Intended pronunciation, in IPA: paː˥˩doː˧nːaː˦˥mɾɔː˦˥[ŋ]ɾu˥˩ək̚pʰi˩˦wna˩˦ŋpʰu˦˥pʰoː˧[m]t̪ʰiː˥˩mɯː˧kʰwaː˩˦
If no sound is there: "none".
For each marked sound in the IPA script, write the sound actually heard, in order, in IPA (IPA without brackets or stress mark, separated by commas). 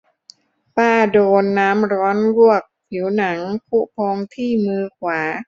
n, ŋ